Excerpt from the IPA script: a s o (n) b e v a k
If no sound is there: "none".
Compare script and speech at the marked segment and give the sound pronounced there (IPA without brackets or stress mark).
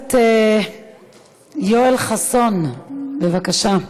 n